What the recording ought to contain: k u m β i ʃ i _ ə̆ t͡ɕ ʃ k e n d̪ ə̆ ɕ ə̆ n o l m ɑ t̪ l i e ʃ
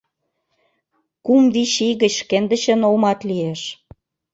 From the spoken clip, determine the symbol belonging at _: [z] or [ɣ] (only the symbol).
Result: ɣ